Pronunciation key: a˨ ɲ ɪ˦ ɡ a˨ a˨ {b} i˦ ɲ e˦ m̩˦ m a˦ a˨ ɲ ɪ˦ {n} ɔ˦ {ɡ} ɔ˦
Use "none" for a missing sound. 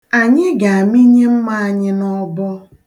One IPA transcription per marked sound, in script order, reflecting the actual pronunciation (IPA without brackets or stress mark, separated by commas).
m, n, b